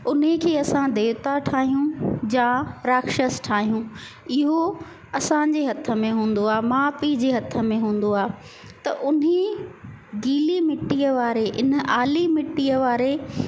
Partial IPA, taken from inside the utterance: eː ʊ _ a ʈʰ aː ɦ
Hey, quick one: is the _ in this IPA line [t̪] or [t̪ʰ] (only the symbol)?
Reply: t̪